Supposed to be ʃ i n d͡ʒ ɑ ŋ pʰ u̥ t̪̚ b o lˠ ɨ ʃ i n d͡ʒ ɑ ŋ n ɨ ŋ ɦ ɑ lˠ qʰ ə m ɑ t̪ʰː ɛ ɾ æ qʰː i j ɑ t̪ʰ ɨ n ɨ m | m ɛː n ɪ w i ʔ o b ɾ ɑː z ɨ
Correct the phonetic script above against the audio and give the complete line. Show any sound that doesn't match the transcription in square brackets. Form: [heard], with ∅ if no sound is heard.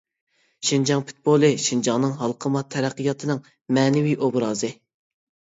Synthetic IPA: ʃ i n d͡ʒ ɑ ŋ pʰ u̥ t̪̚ b o lˠ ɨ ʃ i n d͡ʒ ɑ ŋ n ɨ ŋ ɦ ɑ lˠ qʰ ə m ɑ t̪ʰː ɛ ɾ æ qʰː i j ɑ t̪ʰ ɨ n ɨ [ŋ] | m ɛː n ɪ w i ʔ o b ɾ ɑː z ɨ